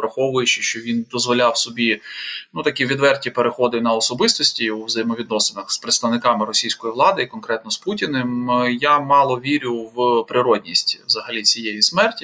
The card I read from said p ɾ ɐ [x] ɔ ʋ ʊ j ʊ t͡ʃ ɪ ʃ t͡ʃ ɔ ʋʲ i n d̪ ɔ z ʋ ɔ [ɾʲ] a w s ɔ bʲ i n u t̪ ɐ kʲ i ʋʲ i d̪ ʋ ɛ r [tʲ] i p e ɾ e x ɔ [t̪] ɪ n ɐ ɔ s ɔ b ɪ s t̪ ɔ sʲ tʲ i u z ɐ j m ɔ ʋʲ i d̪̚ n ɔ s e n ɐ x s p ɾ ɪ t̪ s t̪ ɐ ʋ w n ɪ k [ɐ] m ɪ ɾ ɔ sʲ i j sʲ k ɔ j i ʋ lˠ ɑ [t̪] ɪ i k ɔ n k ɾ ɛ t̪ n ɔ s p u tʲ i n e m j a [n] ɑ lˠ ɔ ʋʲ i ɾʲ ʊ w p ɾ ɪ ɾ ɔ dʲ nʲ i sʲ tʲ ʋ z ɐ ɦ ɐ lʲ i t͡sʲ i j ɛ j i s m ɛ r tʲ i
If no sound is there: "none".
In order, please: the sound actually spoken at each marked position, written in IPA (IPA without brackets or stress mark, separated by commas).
x, lʲ, tʲ, d̪, ɑ, d̪, m